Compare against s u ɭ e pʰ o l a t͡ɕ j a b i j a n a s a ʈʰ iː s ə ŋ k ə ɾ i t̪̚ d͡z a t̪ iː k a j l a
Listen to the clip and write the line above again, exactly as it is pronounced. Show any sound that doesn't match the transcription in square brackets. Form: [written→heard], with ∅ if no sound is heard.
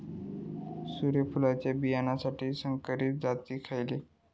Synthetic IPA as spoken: s u [ɭ→ɾ] e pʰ [o→u] l a t͡ɕ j a b i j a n a s a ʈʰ iː s ə ŋ k ə ɾ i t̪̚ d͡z a t̪ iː [k→kʰ] a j l [a→e]